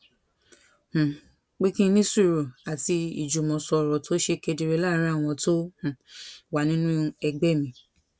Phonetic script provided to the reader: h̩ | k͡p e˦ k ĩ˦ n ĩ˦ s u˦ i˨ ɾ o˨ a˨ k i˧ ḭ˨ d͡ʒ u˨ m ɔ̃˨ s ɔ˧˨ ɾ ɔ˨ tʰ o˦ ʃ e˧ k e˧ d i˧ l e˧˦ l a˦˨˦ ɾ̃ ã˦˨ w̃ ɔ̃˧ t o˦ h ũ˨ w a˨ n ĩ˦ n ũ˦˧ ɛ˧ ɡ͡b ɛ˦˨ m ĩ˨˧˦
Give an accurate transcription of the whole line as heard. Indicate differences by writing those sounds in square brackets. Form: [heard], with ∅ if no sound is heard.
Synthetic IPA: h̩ | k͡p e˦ k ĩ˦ n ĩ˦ s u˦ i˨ ɾ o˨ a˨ [t] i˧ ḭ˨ d͡ʒ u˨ m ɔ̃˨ s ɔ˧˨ ɾ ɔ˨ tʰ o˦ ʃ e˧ k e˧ d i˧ [ɾ] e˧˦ l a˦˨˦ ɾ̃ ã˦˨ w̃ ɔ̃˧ t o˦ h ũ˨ w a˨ n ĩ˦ n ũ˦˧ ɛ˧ ɡ͡b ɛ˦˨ m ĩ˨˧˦